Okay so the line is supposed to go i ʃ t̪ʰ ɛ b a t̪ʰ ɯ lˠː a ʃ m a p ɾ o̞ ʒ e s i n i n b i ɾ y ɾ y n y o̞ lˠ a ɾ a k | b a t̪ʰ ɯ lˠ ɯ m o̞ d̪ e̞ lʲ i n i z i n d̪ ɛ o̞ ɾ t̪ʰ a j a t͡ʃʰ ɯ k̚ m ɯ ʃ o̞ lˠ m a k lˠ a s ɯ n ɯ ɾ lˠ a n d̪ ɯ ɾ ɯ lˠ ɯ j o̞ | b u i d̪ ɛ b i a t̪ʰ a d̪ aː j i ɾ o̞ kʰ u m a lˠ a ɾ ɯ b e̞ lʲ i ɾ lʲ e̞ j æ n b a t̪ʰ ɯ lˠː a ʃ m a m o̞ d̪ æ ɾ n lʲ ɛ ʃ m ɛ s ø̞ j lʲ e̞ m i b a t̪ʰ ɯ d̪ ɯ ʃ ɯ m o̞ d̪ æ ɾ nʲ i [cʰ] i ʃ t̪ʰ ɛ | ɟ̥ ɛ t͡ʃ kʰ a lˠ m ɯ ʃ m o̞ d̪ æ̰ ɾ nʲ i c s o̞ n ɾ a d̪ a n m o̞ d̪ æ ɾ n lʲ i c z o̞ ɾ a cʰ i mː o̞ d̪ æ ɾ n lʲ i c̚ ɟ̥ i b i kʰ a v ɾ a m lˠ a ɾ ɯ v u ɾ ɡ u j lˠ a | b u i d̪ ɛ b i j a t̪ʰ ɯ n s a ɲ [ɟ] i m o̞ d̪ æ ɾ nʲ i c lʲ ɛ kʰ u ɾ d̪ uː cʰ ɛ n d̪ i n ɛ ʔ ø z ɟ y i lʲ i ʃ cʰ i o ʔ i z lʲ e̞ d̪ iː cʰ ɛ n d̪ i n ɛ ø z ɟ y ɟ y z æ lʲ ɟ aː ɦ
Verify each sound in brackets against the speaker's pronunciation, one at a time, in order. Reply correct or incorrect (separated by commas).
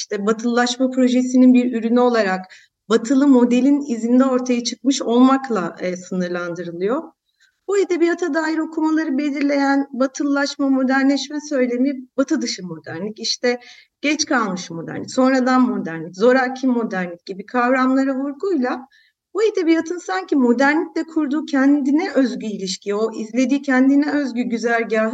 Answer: incorrect, incorrect